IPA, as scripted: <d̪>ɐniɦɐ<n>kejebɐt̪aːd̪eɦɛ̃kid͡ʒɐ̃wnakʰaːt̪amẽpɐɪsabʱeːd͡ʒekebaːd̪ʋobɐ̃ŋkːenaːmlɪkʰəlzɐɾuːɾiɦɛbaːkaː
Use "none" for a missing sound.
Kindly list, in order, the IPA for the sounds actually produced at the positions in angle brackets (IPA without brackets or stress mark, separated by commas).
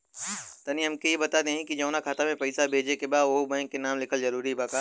t̪, m